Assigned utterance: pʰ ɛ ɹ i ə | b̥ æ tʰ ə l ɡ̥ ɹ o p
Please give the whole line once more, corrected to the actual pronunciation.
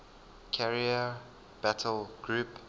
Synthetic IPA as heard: kʰ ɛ ɹ i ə | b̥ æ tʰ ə l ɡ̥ ɹ u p